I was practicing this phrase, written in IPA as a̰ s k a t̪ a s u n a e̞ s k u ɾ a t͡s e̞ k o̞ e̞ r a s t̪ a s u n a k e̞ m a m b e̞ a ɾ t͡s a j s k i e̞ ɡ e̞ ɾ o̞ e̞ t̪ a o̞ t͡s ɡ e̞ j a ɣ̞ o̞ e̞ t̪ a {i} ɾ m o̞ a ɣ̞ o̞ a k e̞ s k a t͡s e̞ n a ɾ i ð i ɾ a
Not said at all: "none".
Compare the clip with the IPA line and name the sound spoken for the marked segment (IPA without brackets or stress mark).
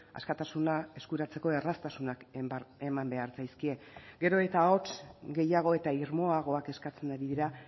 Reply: i